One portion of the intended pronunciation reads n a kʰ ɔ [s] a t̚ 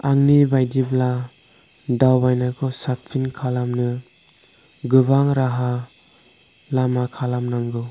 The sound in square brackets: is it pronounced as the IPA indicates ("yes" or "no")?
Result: yes